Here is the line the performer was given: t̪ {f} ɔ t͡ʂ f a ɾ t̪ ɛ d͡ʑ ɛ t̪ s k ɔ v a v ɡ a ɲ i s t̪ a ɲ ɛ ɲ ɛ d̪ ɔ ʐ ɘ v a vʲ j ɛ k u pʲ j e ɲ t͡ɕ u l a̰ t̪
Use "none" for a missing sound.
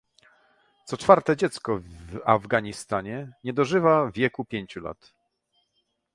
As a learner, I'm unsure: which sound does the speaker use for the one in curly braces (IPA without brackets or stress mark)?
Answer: s